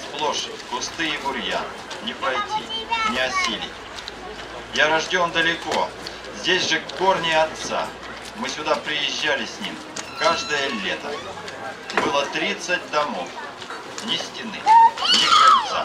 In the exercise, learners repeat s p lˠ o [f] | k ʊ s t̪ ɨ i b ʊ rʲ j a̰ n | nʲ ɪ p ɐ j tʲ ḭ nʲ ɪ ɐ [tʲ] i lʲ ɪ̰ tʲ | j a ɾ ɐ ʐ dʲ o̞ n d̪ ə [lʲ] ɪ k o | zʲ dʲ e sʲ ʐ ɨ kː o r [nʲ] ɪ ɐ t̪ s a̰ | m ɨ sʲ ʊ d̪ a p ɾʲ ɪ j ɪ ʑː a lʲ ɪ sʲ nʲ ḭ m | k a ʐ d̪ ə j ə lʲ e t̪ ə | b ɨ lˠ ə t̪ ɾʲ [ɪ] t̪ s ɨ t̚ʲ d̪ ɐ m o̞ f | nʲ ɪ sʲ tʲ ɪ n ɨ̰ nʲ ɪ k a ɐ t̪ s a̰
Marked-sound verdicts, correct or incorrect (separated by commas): incorrect, incorrect, correct, correct, incorrect